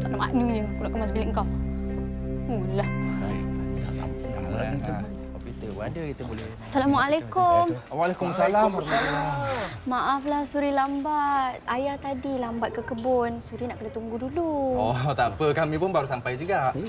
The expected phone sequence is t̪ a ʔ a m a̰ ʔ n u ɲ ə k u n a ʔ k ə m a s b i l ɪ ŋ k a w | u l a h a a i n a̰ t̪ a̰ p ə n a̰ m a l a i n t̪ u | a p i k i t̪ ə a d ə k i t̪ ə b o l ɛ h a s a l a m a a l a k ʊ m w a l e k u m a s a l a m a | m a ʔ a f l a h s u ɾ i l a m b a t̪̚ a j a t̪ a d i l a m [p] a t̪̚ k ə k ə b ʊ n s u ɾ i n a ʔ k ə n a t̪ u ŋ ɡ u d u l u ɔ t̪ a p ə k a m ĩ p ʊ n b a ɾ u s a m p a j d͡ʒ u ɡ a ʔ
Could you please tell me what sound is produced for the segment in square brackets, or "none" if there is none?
b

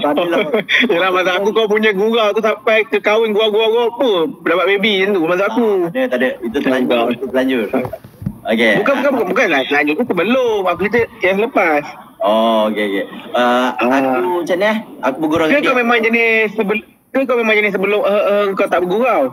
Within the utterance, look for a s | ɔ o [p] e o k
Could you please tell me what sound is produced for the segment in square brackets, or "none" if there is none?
k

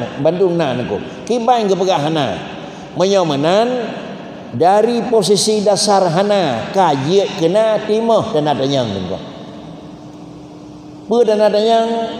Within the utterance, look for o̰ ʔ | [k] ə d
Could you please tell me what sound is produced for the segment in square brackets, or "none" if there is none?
p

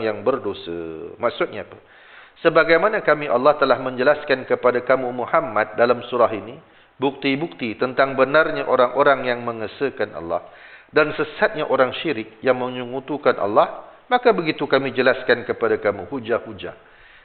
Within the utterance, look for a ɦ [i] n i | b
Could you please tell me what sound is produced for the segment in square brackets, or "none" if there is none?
i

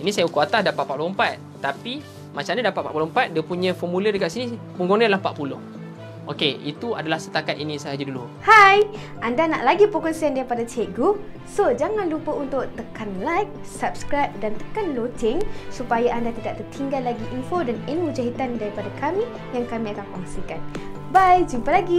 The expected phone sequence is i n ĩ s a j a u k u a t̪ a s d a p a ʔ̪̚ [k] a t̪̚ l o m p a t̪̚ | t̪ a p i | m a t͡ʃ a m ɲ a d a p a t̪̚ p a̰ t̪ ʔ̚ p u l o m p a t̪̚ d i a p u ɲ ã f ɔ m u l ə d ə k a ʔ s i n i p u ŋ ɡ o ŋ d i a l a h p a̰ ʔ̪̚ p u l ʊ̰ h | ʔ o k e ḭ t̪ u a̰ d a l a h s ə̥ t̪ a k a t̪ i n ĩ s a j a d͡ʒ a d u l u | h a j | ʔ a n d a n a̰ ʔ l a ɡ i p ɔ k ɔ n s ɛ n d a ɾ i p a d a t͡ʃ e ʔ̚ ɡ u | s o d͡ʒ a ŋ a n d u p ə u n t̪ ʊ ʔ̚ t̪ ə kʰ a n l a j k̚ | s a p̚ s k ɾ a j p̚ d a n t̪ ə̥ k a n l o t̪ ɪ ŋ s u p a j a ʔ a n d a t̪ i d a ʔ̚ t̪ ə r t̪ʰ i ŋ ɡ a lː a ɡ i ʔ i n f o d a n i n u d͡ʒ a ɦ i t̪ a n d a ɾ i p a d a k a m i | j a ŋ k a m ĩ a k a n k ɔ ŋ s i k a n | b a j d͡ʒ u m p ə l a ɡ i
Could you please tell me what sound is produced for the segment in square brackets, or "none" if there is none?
p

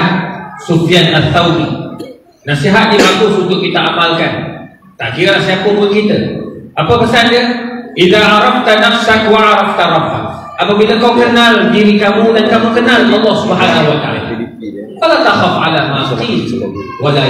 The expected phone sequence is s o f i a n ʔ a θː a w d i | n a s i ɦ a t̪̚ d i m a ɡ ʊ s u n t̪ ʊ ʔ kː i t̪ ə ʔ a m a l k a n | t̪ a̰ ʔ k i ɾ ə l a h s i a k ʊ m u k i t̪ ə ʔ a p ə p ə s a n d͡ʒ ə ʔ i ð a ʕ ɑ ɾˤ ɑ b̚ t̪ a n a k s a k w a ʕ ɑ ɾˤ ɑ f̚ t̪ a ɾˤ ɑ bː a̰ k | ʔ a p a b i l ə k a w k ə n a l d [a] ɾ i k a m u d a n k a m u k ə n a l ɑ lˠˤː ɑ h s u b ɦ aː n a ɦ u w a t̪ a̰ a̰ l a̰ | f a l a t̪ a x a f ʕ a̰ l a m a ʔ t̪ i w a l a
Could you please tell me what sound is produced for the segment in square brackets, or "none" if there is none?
i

